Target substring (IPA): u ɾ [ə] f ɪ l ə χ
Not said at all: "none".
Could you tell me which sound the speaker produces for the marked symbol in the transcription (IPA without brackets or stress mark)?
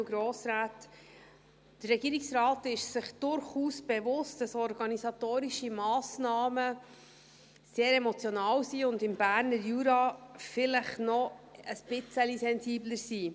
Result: ɑ